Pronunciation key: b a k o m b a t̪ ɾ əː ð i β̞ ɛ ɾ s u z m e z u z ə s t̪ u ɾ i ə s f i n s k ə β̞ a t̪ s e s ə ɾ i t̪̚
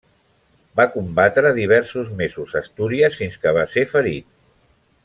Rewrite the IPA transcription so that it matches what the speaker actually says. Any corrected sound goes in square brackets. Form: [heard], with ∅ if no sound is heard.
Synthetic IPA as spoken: b a k [u] m b a t̪ ɾ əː ð i β̞ ɛ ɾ s u z m e z u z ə s t̪ u ɾ i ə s f i n s k ə β̞ a [∅] s e [f] ə ɾ i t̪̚